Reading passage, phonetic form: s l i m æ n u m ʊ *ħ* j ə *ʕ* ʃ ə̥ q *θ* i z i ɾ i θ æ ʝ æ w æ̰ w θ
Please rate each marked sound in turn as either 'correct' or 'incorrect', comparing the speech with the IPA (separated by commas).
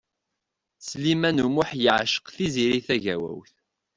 correct, correct, correct